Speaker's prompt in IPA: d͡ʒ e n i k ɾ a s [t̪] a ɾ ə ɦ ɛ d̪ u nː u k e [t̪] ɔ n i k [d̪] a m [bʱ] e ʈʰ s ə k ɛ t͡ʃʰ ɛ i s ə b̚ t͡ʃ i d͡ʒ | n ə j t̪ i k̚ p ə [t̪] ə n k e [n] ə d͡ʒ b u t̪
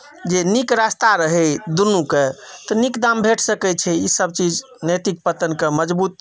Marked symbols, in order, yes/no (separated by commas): yes, yes, yes, yes, yes, no